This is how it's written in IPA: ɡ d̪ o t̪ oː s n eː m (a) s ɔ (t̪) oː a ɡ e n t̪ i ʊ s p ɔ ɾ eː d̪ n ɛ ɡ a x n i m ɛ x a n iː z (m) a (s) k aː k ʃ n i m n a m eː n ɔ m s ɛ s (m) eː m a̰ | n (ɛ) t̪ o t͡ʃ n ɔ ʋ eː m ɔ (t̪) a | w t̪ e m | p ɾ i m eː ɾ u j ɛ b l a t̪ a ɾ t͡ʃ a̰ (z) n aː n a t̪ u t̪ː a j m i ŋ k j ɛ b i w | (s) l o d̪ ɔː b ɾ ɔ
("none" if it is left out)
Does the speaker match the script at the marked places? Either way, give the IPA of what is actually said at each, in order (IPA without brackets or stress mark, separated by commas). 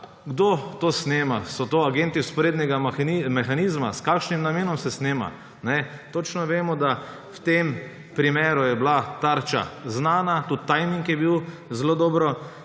a, t̪, m, s, n, ɛ, d̪, z, z